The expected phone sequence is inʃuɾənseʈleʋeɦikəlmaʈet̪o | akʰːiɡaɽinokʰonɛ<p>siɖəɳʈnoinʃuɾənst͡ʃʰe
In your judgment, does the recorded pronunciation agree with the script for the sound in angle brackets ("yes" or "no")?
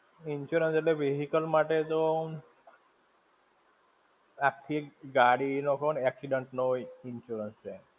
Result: no